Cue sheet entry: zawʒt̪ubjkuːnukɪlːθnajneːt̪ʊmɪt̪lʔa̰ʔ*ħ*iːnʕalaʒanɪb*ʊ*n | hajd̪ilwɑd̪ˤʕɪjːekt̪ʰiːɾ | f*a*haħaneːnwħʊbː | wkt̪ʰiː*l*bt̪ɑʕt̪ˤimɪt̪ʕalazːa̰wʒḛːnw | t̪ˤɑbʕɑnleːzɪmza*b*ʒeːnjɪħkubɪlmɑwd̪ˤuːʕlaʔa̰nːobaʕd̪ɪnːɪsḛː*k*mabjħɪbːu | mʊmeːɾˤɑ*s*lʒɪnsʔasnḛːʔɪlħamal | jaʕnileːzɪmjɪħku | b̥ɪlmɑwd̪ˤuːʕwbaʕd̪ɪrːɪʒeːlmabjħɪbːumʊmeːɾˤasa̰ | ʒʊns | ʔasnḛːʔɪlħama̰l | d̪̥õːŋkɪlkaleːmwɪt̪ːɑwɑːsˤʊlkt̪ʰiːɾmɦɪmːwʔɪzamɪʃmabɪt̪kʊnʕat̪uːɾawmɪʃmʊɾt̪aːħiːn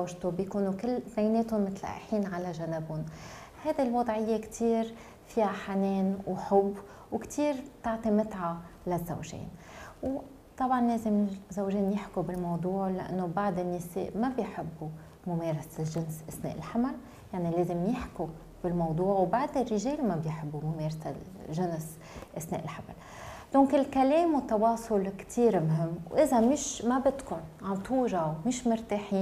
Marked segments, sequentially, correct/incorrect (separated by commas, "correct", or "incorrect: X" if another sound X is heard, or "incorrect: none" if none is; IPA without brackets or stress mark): correct, correct, incorrect: i, incorrect: ɾ, incorrect: w, incorrect: ʔ, correct